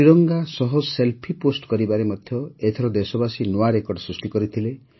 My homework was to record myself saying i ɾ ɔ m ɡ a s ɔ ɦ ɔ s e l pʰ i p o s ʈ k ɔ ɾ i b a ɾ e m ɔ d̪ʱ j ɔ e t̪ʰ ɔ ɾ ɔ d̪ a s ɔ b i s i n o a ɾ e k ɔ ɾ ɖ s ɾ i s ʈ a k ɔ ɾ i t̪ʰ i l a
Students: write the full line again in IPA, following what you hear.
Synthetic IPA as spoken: i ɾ ɔ ŋ ɡ a s ɔ ɦ ɔ s e l pʰ i p o s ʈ k ɔ ɾ i b a ɾ e m ɔ d̪ʱ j ɔ e t̪ʰ ɔ ɾ ɔ d̪ e s ɔ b a s i n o a ɾ e k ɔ ɾ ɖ s ɾ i s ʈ i k ɔ ɾ i t̪ʰ i l e